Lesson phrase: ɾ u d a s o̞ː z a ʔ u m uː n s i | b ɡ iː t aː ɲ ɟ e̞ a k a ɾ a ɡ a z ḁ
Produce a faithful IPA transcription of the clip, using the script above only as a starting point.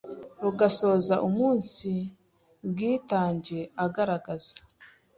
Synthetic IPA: ɾ u ɡ a s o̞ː z a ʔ u m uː n s i | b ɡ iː t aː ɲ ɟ e̞ a ɡ a ɾ a ɡ a z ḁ